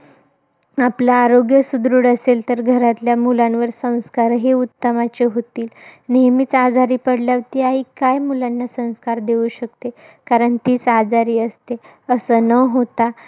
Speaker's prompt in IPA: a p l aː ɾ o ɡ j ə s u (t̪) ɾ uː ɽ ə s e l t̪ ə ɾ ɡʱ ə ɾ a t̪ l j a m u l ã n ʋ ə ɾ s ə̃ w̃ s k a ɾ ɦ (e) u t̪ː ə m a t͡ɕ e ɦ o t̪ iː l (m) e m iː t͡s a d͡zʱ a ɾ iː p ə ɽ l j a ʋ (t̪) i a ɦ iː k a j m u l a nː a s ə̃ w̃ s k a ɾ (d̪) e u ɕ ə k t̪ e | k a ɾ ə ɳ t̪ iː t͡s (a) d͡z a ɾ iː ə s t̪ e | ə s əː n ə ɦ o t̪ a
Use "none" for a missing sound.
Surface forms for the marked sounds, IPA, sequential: d̪, e, n, t̪, d̪, a

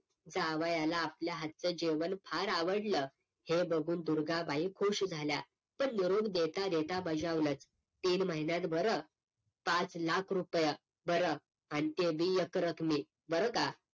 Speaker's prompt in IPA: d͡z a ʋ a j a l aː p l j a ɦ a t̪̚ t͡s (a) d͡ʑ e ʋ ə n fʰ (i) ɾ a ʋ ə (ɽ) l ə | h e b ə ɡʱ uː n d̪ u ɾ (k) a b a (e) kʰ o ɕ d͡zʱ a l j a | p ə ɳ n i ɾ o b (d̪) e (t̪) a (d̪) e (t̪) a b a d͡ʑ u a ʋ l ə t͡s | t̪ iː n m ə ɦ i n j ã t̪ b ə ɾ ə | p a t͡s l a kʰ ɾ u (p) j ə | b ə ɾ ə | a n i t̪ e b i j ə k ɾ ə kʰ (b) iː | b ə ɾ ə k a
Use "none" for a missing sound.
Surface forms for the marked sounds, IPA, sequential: ə, a, ɽ, ɡ, i, d̪, t̪, d̪, t̪, p, m

